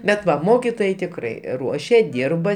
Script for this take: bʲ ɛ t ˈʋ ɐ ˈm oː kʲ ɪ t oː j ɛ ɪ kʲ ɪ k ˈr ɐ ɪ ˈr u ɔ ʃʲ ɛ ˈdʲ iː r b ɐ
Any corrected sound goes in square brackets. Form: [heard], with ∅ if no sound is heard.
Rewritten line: bʲ ɛ t ˈʋ ɐ ˈm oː kʲ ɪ t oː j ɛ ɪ [tʲ] ɪ k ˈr ɐ ɪ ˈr u ɔ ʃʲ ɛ ˈdʲ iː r b ɐ